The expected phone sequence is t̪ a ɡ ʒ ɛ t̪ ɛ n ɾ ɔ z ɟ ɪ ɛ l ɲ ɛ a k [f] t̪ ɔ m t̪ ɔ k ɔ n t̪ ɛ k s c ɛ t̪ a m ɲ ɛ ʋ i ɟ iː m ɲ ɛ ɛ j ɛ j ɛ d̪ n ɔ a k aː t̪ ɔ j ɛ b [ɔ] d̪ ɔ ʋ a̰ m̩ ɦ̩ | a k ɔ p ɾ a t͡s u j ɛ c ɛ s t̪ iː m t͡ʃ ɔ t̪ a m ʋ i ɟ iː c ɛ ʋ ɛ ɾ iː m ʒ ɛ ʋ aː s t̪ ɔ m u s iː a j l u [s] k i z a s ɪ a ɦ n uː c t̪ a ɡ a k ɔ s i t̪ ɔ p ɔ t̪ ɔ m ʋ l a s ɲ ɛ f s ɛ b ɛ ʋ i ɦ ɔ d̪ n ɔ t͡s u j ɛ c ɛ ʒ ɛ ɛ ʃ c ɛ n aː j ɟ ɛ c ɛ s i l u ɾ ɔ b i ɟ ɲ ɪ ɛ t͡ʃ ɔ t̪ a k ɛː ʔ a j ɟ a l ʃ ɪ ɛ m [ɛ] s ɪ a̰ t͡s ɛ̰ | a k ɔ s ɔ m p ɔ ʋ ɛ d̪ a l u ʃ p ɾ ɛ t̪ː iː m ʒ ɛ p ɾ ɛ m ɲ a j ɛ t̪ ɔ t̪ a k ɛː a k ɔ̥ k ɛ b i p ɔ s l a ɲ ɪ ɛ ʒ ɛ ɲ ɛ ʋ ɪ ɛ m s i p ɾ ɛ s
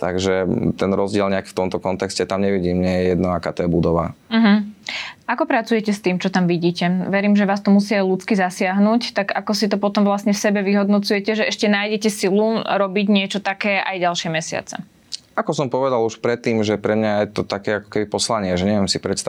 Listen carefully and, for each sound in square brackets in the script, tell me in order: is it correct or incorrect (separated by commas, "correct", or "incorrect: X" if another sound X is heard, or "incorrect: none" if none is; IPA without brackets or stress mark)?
correct, incorrect: u, incorrect: t͡s, correct